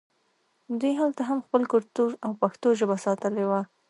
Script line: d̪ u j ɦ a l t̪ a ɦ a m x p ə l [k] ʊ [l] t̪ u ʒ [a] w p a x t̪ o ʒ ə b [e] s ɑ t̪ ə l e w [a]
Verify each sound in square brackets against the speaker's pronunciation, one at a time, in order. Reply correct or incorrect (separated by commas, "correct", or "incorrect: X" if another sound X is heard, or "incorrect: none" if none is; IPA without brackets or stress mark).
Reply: correct, incorrect: ɾ, correct, incorrect: a, correct